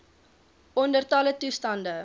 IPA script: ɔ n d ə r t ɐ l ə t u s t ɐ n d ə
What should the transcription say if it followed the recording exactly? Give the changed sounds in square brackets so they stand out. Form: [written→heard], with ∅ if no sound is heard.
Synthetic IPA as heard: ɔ n d ə r t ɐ l ə t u s t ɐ n d ə